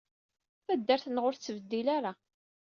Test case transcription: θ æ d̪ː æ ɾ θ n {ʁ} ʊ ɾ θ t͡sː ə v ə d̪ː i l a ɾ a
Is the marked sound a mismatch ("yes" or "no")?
no